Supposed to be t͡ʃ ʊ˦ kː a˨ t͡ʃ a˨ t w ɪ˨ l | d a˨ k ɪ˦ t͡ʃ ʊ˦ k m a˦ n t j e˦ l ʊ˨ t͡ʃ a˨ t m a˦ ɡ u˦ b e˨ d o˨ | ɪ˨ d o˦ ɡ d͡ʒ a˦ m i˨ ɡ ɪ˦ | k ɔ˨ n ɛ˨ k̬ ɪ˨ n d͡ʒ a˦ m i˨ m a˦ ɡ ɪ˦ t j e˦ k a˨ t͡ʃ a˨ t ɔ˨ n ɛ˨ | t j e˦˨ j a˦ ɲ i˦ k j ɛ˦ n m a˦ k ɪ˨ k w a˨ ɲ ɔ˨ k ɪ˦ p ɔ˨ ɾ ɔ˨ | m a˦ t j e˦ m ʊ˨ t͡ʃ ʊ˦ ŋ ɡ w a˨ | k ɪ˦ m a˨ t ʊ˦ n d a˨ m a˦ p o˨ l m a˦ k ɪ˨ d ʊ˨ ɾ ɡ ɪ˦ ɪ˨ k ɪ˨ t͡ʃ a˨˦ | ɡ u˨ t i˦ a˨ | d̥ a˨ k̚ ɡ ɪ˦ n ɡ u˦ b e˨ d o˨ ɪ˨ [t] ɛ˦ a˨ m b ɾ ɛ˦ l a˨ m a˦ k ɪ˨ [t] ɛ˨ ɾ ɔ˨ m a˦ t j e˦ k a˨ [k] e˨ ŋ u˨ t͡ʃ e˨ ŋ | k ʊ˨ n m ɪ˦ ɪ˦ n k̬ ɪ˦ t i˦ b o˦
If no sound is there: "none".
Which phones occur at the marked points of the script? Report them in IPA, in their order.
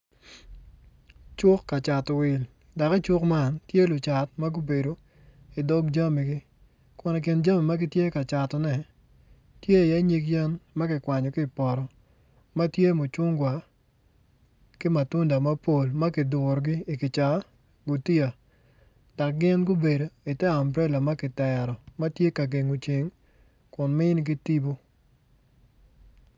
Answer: t, t, ɡ

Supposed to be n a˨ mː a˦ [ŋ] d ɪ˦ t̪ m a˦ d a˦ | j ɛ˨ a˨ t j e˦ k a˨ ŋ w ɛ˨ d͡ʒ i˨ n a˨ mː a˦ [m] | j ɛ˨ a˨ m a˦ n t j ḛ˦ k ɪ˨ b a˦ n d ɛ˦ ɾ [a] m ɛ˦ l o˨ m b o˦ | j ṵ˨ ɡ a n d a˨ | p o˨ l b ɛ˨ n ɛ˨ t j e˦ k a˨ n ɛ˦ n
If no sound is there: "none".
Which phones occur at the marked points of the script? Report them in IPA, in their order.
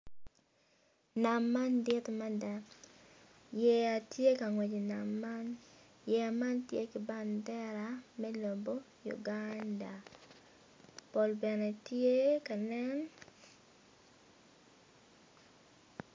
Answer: n, n, a

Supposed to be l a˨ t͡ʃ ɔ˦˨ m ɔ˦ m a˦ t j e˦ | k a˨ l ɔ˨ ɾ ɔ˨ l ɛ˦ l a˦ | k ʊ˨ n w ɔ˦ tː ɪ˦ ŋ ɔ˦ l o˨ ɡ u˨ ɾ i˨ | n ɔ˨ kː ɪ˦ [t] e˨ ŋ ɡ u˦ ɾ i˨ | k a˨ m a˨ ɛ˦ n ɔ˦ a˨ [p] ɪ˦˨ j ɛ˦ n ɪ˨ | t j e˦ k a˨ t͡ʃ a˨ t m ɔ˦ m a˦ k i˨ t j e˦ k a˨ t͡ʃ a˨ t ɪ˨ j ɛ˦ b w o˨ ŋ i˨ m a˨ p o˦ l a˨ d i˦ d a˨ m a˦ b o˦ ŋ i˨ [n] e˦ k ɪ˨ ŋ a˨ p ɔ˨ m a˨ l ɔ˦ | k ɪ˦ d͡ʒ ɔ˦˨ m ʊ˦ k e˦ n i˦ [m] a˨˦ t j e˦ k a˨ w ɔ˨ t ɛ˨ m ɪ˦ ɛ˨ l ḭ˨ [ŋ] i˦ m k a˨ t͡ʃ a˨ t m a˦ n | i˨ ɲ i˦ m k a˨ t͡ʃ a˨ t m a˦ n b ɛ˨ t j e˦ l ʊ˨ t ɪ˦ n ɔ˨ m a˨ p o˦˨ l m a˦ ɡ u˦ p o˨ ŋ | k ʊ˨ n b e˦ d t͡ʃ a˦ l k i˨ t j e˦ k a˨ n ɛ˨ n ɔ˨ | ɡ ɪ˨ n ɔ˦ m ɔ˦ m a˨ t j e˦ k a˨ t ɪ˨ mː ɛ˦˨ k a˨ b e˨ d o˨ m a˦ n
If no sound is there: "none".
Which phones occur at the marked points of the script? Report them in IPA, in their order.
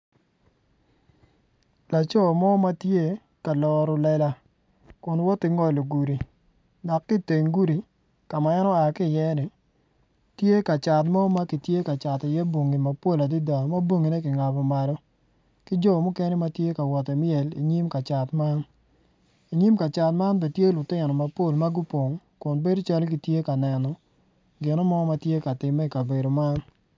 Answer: t, k, n, m, ɲ

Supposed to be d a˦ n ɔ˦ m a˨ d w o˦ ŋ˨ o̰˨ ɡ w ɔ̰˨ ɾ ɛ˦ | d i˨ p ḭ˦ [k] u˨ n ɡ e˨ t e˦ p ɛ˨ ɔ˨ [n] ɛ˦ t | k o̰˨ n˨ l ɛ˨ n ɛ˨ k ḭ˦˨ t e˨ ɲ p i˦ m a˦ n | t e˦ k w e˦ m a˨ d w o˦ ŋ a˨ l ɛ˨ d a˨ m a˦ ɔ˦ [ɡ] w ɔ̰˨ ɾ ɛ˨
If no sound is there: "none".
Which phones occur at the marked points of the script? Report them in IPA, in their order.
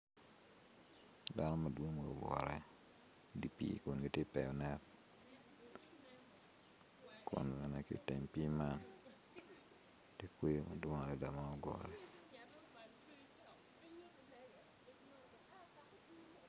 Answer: k, n, ɡ

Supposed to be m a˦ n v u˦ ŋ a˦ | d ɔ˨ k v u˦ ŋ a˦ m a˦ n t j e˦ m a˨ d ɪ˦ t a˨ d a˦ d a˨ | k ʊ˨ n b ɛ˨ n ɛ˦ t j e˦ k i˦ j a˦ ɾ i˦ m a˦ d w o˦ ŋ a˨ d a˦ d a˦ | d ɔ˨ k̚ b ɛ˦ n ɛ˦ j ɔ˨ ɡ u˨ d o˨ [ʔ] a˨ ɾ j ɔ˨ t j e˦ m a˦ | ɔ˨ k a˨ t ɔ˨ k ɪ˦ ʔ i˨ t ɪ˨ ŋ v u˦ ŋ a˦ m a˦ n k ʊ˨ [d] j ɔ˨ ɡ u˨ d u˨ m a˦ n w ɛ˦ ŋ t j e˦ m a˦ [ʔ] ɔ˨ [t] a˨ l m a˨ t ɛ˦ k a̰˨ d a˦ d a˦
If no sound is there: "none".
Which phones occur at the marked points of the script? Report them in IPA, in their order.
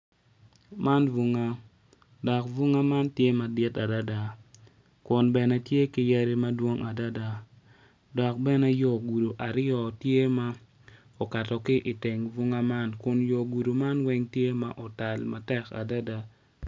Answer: ʔ, n, ʔ, t

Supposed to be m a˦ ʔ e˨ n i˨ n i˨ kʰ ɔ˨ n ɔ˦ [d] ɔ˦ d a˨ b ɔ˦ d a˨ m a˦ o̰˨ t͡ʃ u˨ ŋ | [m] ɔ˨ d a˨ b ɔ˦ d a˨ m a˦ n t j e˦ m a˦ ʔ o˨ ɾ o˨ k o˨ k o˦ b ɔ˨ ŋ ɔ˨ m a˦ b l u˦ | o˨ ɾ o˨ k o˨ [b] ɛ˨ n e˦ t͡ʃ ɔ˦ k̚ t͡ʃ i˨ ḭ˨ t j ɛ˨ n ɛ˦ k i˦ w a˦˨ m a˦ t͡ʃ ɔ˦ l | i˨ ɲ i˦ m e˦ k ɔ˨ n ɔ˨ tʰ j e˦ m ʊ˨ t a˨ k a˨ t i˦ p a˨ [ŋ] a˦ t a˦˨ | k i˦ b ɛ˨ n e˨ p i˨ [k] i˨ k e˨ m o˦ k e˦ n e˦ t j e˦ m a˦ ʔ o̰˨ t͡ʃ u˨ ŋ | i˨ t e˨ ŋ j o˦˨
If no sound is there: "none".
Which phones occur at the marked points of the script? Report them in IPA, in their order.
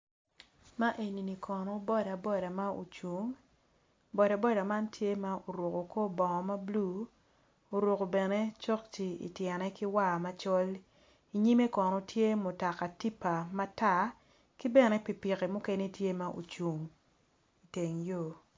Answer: b, b, b, m, p

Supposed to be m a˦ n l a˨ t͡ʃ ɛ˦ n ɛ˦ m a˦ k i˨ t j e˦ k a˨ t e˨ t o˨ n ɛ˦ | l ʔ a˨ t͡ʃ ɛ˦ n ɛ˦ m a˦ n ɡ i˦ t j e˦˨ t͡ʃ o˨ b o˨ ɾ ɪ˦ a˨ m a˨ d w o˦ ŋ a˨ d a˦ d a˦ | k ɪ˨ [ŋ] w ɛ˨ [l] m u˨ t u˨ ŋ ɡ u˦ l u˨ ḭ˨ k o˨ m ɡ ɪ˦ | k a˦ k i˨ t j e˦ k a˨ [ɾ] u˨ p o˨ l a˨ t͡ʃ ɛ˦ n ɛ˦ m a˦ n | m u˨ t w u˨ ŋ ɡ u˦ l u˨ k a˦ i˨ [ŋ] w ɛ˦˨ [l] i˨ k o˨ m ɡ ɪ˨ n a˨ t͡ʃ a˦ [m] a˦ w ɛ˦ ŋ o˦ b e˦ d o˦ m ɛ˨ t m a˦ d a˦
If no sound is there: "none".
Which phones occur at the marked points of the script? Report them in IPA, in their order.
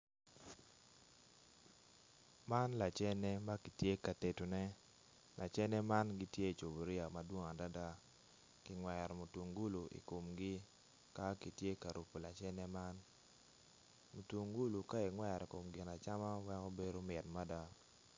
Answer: ŋ, ɾ, ɾ, ŋ, ɾ, m

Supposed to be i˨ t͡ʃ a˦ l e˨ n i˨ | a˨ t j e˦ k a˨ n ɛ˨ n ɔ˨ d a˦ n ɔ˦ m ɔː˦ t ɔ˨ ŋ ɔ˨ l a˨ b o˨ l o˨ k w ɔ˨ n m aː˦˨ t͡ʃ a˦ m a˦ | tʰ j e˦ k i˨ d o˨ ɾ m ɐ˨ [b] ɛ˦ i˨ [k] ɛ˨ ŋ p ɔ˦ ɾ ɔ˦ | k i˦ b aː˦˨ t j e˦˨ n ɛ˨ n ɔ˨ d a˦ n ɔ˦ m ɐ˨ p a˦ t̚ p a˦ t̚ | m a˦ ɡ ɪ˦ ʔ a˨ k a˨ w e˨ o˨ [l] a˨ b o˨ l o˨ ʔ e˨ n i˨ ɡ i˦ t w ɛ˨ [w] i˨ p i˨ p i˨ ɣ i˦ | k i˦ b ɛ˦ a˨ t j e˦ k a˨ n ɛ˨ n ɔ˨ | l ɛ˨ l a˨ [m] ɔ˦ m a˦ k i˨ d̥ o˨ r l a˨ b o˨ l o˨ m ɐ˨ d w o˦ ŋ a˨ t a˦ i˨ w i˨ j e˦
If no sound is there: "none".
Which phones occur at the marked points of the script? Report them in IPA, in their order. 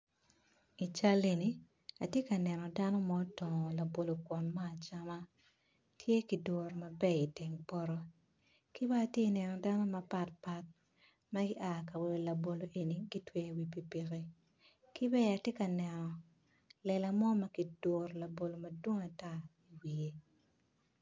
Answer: b, t, l, w, m

